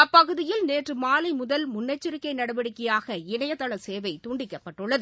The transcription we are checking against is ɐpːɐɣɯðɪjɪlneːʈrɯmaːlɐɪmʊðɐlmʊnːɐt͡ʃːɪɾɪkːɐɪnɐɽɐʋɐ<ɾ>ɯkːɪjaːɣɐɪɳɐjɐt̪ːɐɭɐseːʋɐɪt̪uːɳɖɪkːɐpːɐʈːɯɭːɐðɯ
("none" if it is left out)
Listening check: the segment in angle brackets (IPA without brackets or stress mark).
ɽ